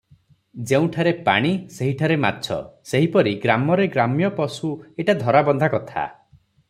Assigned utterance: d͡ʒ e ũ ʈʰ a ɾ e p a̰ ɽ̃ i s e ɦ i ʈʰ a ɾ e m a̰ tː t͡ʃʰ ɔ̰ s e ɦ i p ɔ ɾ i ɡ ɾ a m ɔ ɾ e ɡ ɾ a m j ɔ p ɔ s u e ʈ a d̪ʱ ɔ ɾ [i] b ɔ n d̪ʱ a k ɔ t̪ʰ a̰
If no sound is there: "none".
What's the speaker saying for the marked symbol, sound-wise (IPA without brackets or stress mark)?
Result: a